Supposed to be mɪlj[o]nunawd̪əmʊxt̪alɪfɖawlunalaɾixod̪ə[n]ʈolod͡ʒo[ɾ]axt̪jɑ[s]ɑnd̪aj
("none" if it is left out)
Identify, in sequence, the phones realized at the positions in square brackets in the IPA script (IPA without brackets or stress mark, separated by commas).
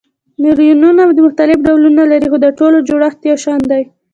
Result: u, none, ɽ, ʃ